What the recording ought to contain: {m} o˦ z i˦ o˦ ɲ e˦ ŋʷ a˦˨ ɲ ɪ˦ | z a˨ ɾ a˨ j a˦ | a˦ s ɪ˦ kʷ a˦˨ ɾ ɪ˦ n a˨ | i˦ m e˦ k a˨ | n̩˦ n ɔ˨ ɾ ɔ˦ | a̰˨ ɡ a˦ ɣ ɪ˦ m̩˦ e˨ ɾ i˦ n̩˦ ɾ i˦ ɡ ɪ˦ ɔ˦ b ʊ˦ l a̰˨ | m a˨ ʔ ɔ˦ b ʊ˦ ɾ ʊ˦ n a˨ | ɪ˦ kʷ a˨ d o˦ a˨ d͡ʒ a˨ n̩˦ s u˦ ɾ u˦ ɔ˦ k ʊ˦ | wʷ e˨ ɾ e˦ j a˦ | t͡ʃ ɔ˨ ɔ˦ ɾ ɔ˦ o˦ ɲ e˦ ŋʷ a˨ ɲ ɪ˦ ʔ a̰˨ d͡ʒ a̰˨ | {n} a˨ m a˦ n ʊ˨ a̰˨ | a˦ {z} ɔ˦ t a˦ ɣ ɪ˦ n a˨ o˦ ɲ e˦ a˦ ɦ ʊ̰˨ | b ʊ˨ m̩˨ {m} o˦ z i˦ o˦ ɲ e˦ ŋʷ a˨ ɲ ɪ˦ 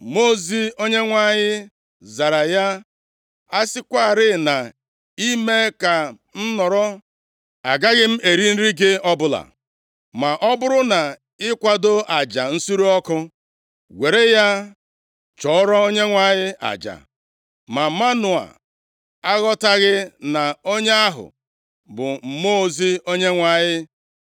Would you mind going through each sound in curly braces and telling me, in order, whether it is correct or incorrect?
correct, incorrect: m, incorrect: ɣ, correct

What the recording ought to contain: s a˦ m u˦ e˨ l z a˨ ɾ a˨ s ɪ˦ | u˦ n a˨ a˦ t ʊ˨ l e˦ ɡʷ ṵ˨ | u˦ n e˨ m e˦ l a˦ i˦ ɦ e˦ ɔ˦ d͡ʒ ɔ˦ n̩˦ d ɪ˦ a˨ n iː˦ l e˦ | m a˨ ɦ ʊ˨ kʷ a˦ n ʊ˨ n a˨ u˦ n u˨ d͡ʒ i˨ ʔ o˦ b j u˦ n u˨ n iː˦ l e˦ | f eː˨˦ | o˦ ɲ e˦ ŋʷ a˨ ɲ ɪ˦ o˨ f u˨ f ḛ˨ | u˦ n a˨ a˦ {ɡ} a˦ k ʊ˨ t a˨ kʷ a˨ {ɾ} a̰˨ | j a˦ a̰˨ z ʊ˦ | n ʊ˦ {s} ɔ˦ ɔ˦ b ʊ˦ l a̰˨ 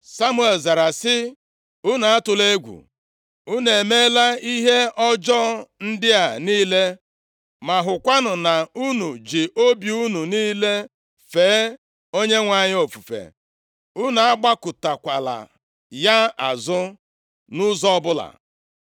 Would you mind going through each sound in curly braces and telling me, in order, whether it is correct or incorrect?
incorrect: ɡ͡b, incorrect: l, incorrect: z

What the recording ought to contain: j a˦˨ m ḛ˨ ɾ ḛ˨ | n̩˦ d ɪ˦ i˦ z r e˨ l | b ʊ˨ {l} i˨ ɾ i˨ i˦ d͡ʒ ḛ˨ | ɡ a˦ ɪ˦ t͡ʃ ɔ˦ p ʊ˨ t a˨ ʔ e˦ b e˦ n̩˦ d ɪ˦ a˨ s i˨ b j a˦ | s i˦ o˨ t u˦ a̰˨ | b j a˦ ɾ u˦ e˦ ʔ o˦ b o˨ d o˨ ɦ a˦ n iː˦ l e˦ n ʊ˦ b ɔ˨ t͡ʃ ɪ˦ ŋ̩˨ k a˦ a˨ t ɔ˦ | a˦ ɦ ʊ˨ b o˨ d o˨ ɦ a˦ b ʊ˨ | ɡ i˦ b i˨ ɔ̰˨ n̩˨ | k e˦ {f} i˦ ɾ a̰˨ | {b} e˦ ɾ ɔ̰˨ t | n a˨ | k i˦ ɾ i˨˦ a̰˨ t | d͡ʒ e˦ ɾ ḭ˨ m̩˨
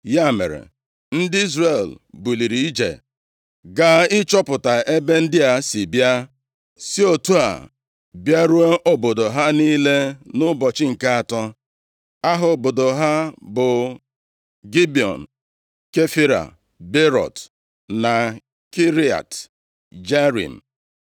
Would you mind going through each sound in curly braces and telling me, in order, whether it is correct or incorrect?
correct, correct, correct

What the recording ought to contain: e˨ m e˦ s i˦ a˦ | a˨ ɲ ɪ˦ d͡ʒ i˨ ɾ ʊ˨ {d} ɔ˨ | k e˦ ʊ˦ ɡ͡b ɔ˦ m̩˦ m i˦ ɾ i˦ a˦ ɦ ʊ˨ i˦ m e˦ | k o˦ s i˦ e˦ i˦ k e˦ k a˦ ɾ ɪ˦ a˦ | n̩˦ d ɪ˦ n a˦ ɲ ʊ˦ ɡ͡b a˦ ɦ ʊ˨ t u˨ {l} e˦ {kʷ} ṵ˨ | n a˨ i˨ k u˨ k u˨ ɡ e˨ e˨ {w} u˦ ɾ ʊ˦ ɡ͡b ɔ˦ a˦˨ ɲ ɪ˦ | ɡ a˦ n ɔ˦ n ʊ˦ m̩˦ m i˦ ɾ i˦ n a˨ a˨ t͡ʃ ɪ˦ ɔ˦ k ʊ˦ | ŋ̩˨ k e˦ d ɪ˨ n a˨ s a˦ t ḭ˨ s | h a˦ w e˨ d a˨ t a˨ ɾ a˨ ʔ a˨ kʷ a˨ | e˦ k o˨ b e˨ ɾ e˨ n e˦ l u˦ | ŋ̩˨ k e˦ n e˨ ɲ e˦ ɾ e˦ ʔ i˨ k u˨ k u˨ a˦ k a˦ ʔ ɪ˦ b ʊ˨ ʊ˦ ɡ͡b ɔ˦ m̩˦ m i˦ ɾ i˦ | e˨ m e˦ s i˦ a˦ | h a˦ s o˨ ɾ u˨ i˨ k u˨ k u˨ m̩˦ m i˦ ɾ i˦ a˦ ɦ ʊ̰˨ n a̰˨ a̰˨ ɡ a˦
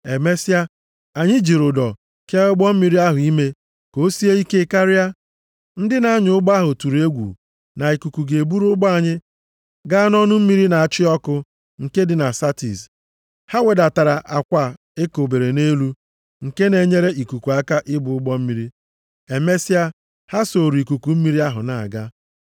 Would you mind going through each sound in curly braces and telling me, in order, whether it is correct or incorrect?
correct, incorrect: ɾ, incorrect: ɡʷ, incorrect: b

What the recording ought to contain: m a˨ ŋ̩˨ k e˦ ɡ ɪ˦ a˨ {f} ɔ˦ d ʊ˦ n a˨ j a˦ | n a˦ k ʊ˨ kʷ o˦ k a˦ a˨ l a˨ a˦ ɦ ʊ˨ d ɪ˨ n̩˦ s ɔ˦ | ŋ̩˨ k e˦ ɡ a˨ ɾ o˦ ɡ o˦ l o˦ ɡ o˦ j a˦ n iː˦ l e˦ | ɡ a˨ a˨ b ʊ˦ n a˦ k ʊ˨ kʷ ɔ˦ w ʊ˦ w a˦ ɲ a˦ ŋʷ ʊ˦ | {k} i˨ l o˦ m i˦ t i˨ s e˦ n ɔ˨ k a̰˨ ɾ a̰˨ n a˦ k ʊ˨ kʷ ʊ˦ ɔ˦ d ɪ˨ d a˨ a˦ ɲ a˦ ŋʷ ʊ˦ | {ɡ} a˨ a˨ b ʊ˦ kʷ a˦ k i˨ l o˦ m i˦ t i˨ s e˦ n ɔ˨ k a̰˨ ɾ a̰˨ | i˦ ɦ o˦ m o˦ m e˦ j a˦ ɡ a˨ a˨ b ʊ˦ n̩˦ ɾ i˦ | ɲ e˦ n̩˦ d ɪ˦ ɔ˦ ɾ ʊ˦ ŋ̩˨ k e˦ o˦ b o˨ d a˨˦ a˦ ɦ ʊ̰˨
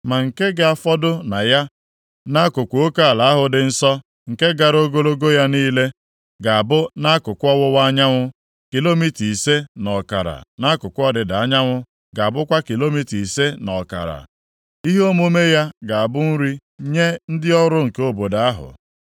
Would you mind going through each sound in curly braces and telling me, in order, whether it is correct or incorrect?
correct, correct, correct

